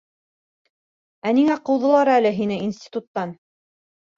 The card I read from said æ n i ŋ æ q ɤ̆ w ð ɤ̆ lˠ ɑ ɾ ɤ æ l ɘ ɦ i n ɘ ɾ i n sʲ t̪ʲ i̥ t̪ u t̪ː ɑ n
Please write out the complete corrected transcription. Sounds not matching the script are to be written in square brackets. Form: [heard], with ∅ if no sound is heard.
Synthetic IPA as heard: æ n i ŋ æ q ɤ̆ w ð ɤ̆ lˠ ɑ ɾ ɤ æ l ɘ ɦ i n ɘ [∅] i n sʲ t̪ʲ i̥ t̪ u t̪ː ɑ n